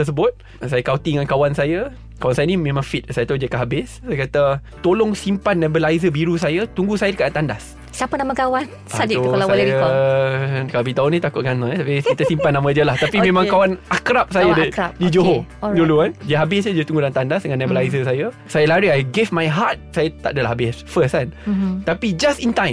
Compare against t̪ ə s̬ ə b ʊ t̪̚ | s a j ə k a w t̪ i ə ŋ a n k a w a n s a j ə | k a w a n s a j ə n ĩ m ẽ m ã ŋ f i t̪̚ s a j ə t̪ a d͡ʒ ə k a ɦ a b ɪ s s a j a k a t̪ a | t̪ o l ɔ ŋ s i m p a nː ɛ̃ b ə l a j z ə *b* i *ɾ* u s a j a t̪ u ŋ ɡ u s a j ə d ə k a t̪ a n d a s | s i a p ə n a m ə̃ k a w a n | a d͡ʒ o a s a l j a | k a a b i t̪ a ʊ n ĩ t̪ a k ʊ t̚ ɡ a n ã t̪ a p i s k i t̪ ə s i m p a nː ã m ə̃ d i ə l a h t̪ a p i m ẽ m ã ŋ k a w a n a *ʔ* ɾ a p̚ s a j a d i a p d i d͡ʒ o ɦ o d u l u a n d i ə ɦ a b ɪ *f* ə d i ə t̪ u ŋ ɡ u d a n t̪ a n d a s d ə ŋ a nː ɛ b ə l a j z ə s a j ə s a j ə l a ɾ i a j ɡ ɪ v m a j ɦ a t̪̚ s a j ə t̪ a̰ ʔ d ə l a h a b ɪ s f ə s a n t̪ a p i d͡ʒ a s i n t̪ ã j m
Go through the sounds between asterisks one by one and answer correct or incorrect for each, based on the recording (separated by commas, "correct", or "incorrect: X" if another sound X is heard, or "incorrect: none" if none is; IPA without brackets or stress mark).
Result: correct, correct, incorrect: k, incorrect: s